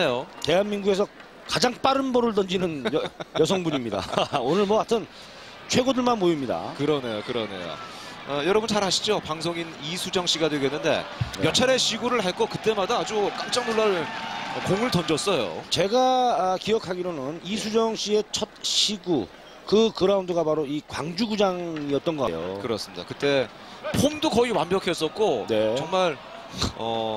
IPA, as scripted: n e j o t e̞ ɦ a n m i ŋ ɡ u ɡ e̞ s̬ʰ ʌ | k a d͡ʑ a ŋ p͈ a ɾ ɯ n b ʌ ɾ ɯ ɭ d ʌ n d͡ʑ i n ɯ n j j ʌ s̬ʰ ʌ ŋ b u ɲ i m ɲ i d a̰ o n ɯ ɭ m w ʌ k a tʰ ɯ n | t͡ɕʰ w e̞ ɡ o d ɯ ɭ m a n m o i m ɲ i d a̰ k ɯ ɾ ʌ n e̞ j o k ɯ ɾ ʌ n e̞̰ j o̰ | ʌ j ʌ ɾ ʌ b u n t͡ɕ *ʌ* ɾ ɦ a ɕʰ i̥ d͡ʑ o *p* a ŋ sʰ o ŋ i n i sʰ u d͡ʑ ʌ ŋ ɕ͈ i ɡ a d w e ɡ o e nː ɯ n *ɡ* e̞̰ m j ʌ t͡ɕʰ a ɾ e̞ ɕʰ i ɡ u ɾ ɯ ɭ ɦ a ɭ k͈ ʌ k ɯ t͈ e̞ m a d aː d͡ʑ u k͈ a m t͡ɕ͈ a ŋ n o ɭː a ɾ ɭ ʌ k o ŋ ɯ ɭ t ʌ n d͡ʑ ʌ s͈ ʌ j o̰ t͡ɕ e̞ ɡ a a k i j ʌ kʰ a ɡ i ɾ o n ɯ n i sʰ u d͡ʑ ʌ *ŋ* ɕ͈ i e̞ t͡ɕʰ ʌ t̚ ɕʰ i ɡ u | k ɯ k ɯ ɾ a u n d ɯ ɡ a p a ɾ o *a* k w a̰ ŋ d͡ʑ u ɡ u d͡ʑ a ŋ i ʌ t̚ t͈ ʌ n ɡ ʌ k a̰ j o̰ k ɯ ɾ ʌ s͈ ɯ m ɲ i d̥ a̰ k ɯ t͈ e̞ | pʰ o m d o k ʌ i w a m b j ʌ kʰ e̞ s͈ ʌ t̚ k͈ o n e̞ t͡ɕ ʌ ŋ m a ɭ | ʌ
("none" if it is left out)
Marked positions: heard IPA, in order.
a, p, d, ŋ, i

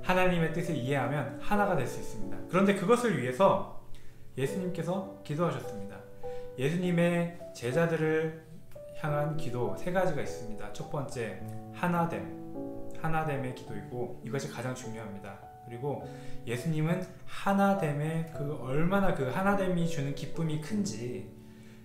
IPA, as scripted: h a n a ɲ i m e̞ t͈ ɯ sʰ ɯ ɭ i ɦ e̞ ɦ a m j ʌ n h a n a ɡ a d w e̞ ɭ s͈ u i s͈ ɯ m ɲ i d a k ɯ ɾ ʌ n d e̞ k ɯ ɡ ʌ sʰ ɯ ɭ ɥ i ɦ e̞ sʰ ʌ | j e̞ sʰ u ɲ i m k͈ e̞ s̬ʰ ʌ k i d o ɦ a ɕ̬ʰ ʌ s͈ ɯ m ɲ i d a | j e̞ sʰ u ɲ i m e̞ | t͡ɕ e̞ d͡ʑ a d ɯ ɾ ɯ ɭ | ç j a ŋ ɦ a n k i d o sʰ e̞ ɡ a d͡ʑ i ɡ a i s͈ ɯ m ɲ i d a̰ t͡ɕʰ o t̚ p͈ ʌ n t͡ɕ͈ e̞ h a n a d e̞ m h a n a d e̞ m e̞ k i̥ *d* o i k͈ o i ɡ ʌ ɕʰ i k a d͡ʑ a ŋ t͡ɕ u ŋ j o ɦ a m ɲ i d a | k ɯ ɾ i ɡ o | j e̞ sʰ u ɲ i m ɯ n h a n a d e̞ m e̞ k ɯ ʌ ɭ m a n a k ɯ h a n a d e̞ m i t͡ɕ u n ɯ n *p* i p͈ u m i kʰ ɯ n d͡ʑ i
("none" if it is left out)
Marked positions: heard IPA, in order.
d, k

